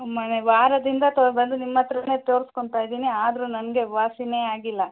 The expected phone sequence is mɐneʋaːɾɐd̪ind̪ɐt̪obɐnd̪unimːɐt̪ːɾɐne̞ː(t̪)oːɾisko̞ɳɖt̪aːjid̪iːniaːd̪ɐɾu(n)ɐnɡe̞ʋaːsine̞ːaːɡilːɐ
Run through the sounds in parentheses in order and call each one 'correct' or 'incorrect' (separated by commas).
correct, correct